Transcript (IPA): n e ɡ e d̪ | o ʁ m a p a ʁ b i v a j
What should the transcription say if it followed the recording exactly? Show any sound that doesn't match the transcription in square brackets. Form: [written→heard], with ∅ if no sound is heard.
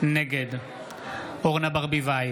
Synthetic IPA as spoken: n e ɡ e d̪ | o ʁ [m→n] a [p→b] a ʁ b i v a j